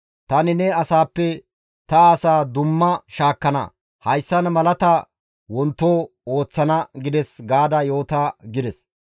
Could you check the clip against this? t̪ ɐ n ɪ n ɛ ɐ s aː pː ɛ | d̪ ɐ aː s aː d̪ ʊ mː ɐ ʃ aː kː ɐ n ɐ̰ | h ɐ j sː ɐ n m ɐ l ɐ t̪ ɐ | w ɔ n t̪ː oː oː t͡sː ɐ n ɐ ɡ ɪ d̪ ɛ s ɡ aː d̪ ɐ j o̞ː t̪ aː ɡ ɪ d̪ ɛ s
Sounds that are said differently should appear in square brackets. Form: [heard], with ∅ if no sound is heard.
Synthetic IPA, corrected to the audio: t̪ ɐ n ɪ n ɛ ɐ s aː pː ɛ | [t̪] ɐ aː s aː d̪ ʊ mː ɐ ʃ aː kː ɐ n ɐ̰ | h ɐ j sː ɐ n m ɐ l ɐ t̪ ɐ | w ɔ n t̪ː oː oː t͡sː ɐ n ɐ ɡ ɪ d̪ ɛ s ɡ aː d̪ ɐ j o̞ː t̪ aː ɡ ɪ d̪ ɛ s